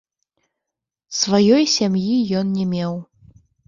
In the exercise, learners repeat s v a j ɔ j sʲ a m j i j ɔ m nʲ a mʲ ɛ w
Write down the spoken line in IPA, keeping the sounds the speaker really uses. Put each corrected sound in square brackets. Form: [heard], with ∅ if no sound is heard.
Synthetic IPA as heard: s v a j ɔ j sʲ a m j i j ɔ [n] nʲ [ɛ] mʲ ɛ w